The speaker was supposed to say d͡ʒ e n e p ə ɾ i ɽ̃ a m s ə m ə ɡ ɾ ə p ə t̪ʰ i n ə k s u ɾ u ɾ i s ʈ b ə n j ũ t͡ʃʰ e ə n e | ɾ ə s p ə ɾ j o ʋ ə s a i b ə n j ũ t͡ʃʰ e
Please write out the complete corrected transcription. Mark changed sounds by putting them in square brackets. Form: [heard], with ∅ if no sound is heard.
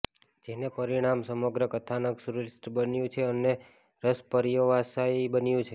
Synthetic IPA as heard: d͡ʒ e n e p ə ɾ i ɽ̃ a m s ə m ə ɡ ɾ ə [k] ə t̪ʰ [a] n ə k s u ɾ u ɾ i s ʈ b ə n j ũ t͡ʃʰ e ə n e | ɾ ə s p ə ɾ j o ʋ [a] s a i b ə n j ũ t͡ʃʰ e